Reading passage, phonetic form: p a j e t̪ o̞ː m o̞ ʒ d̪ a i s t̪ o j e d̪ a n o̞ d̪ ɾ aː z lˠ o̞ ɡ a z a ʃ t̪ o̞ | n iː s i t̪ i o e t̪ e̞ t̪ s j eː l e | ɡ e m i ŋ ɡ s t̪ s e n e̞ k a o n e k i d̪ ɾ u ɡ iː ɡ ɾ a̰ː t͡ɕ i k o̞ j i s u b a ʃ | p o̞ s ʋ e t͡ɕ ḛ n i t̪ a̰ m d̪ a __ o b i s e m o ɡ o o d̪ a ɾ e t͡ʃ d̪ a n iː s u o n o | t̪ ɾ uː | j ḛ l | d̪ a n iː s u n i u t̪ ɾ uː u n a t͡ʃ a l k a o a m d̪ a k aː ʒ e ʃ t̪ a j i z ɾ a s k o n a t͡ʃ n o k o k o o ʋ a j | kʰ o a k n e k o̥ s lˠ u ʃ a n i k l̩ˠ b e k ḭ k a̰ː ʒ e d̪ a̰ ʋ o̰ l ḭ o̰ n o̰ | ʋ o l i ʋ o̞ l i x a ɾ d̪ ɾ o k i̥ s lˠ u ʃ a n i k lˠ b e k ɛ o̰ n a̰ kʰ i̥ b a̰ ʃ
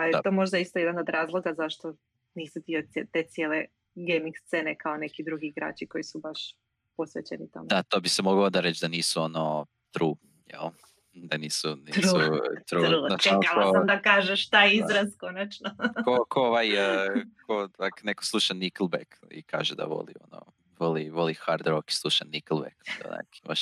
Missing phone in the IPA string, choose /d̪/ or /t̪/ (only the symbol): t̪